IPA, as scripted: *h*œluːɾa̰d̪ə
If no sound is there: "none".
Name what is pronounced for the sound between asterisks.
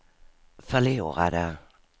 f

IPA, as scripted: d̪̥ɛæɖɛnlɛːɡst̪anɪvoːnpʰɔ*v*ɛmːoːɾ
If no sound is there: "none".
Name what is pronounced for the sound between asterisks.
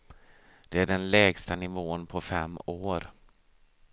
f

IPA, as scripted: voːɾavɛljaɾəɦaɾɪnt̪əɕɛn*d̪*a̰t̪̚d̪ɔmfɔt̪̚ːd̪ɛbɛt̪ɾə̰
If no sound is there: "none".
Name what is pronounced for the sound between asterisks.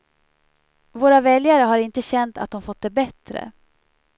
t̪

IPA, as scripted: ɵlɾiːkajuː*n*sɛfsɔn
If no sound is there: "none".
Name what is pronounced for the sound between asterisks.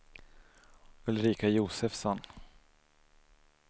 none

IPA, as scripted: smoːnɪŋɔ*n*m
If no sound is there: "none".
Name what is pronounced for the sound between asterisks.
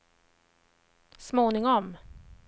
none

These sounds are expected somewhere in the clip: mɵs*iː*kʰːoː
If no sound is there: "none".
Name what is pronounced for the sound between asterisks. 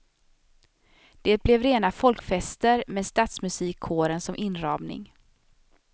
iː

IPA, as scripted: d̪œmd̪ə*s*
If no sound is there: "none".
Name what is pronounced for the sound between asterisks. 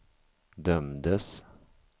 s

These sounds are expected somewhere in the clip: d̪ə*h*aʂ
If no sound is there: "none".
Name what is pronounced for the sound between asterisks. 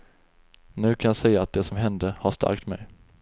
h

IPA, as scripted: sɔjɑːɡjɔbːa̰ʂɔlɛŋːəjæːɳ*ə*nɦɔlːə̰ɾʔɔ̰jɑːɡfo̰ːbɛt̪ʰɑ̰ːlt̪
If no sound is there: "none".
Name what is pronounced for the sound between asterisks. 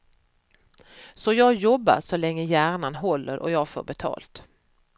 a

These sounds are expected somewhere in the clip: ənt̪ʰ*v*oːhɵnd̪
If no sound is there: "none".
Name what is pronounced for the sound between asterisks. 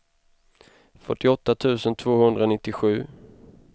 v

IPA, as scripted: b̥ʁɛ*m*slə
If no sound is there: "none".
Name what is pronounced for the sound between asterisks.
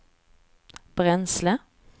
n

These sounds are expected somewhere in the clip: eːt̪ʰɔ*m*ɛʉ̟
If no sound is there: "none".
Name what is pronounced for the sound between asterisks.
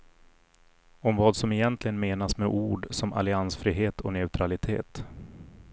n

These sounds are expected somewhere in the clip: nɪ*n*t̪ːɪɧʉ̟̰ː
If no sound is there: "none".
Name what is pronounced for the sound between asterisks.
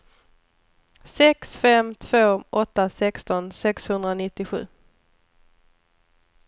none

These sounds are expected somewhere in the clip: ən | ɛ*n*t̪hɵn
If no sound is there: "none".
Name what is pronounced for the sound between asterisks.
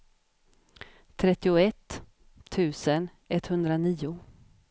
none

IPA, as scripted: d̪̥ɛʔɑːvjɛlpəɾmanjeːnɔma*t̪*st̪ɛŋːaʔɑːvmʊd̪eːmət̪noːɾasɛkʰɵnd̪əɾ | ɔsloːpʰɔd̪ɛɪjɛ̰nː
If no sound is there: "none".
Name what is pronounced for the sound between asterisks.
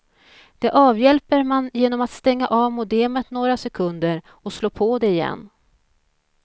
t̪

